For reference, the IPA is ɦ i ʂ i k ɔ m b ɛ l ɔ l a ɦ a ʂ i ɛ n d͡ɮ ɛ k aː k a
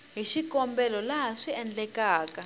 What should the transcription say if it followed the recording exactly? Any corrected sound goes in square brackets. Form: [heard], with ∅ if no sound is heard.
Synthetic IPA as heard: ɦ i [ʃ] i k ɔ m b ɛ l ɔ l a ɦ a ʂ i ɛ n d͡ɮ ɛ k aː k a